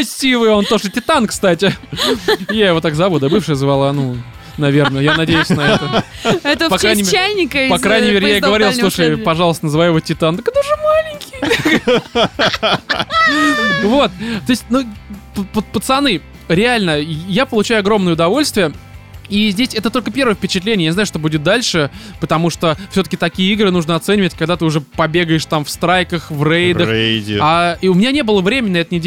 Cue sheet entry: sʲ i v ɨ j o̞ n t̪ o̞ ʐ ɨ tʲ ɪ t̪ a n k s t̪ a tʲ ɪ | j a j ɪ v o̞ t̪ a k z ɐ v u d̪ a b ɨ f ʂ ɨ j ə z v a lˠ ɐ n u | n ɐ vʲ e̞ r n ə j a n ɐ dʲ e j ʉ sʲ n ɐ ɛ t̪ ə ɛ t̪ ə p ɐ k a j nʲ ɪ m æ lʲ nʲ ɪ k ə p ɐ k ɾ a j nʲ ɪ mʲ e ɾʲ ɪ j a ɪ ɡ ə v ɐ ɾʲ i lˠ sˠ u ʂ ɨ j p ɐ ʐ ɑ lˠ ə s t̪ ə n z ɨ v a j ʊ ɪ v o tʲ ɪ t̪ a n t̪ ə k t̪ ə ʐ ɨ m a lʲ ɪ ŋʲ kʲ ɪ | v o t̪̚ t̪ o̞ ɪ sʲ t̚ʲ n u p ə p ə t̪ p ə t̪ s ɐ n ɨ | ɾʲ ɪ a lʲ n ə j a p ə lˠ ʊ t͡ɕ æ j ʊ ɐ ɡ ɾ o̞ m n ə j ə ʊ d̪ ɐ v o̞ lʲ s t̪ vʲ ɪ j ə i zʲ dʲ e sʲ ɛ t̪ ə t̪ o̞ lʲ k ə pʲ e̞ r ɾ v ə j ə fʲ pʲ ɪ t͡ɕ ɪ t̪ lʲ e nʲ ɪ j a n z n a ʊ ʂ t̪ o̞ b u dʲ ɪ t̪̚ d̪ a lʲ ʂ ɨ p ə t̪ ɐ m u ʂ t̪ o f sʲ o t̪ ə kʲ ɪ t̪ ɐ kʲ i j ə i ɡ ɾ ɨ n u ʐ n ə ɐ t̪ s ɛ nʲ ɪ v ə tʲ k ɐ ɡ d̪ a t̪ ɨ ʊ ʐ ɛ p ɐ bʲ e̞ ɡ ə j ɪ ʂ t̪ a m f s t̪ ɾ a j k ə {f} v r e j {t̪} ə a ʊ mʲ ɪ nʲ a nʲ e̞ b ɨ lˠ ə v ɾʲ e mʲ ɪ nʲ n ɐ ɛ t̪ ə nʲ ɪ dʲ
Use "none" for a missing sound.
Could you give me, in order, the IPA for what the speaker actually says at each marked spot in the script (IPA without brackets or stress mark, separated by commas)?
x, d̪